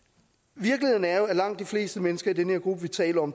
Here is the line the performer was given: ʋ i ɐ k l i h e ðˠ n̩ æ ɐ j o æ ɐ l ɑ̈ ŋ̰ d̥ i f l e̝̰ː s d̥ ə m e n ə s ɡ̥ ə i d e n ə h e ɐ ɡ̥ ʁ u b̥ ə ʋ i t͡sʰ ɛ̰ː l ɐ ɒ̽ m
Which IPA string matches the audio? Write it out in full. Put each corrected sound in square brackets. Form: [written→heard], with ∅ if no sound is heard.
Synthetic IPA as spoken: ʋ i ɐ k l i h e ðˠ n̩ æ ɐ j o æ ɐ l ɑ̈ ŋ̰ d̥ i f l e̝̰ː s d̥ ə m e n ə s ɡ̥ [ə→ɐ] i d e n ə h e ɐ ɡ̥ ʁ u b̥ ə ʋ i t͡sʰ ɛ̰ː l ɐ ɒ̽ m